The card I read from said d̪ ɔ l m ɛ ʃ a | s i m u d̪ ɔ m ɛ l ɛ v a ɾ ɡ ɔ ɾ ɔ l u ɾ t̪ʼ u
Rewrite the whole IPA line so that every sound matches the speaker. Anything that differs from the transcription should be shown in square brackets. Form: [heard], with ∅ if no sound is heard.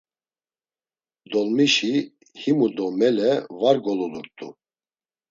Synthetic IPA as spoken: d̪ ɔ l m [i] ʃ [i] | [h] i m u d̪ ɔ m ɛ l ɛ v a ɾ ɡ ɔ [l] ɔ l u ɾ t̪ʼ u